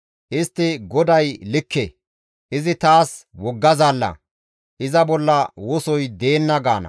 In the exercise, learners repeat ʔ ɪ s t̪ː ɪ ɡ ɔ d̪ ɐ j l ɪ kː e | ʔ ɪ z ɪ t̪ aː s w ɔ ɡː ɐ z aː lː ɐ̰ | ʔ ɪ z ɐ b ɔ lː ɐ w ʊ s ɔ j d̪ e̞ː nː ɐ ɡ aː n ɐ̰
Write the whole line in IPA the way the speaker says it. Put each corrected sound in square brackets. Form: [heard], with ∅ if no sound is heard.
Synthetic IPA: ʔ ɪ s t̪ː ɪ ɡ ɔ d̪ ɐ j l ɪ kː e | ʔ ɪ z ɪ t̪ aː s w ɔ ɡː ɐ z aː lː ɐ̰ | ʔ ɪ z ɐ b ɔ lː ɐ w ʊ s ɔ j d̪ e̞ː nː ɐ ɡ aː n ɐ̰